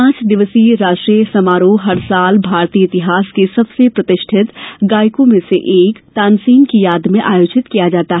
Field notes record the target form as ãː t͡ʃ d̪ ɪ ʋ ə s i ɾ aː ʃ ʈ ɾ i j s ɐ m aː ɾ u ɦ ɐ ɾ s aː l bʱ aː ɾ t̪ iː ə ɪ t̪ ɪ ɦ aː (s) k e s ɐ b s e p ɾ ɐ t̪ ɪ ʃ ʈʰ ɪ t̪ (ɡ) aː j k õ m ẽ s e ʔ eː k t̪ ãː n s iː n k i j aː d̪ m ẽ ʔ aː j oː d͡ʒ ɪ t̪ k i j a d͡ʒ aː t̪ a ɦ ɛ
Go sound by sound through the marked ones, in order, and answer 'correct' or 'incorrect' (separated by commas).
correct, correct